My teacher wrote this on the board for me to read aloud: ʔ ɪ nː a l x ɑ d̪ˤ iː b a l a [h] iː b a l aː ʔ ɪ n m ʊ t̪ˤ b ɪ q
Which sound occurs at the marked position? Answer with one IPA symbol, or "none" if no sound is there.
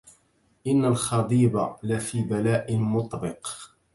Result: f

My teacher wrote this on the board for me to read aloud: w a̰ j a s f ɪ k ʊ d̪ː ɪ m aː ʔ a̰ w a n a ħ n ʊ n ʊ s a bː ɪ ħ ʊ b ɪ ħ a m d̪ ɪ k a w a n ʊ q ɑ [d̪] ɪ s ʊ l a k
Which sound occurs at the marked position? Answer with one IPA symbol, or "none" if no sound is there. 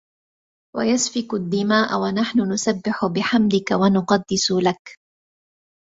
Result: d̪ː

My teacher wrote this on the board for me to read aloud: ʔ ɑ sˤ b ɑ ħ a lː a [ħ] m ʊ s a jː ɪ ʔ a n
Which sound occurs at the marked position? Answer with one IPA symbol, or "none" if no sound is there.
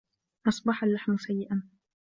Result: ħ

